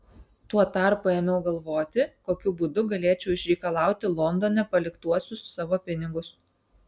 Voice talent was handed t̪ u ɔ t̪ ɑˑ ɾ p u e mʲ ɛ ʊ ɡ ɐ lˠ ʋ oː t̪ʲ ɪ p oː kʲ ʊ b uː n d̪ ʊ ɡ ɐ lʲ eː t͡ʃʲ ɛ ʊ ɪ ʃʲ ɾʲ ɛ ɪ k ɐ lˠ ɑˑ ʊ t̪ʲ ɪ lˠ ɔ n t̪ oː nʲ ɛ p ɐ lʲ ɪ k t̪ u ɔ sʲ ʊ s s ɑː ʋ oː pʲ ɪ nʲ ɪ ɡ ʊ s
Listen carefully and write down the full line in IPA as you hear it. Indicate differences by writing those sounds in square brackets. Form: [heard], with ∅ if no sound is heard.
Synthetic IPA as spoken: t̪ u ɔ t̪ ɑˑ ɾ p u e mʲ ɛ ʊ ɡ ɐ lˠ ʋ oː t̪ʲ ɪ [k] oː kʲ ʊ b uː [∅] d̪ ʊ ɡ ɐ lʲ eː t͡ʃʲ ɛ ʊ ɪ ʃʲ ɾʲ ɛ ɪ k ɐ lˠ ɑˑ ʊ t̪ʲ ɪ lˠ ɔ n [d̪] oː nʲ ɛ p ɐ lʲ ɪ k t̪ u ɔ sʲ ʊ s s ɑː ʋ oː pʲ ɪ nʲ ɪ ɡ ʊ s

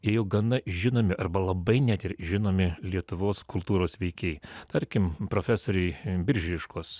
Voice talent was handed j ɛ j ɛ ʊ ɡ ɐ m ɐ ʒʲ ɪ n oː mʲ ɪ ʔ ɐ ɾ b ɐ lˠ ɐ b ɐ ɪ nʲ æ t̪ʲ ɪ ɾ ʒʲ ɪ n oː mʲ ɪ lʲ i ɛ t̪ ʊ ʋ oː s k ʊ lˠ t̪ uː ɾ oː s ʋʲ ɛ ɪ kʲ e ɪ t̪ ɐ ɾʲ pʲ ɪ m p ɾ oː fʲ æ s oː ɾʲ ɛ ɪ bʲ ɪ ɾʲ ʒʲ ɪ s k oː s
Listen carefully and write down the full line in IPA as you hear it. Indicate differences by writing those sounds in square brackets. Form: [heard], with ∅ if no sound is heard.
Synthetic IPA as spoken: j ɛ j ɛ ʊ ɡ ɐ [n] ɐ ʒʲ ɪ n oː mʲ ɪ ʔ ɐ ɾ b ɐ lˠ ɐ b ɐ ɪ nʲ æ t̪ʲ ɪ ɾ ʒʲ ɪ n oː mʲ ɪ lʲ i ɛ t̪ ʊ ʋ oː s k ʊ lˠ t̪ uː ɾ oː s ʋʲ ɛ ɪ kʲ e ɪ t̪ ɐ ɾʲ [kʲ] ɪ m p ɾ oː fʲ æ s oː ɾʲ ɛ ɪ bʲ ɪ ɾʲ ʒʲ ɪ [ʃ] k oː s

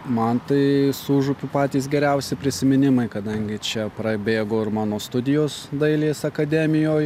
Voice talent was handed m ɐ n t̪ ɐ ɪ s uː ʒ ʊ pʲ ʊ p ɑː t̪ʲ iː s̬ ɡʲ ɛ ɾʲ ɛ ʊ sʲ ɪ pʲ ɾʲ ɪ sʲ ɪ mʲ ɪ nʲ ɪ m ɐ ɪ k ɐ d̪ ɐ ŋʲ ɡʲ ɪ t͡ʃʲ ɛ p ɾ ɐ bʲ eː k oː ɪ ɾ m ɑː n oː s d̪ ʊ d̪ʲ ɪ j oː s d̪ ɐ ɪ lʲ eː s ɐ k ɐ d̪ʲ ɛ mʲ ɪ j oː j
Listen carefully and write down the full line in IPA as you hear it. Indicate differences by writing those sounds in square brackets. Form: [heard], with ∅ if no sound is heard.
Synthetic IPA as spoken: m ɐ n t̪ ɐ ɪ s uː ʒ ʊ pʲ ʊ p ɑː t̪ʲ iː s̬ ɡʲ ɛ ɾʲ ɛ ʊ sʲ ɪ pʲ ɾʲ ɪ sʲ ɪ mʲ ɪ nʲ ɪ m ɐ ɪ k ɐ d̪ ɐ ŋʲ ɡʲ ɪ t͡ʃʲ ɛ p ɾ ɐ bʲ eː [ɡ] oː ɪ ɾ m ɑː n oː s [t̪] ʊ d̪ʲ ɪ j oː s d̪ ɐ ɪ lʲ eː s ɐ k ɐ d̪ʲ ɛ mʲ ɪ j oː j

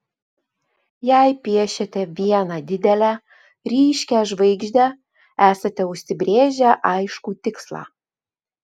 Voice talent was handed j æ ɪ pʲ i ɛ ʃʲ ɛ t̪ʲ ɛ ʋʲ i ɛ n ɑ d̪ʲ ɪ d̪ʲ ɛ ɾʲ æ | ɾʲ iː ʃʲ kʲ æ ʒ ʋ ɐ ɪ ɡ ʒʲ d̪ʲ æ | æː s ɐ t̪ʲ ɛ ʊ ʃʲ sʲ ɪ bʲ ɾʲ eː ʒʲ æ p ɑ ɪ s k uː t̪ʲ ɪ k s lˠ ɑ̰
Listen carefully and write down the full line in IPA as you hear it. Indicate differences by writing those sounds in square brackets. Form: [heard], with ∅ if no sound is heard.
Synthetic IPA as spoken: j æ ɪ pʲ i ɛ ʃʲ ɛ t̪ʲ ɛ ʋʲ i ɛ n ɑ d̪ʲ ɪ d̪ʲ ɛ [lʲ] æ | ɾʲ iː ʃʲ kʲ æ ʒ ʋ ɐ ɪ ɡ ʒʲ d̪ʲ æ | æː s ɐ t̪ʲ ɛ ʊ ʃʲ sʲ ɪ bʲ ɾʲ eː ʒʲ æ [ʔ] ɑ ɪ [ʃ] k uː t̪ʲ ɪ k s lˠ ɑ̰

